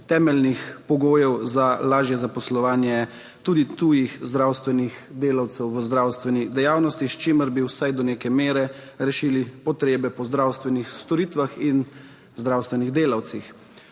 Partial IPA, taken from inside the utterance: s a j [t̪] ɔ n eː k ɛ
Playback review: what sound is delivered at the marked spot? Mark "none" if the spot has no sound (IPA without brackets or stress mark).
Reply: d̪